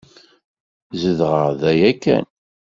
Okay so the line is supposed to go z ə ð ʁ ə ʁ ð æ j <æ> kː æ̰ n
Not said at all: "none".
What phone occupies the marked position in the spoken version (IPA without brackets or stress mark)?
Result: æ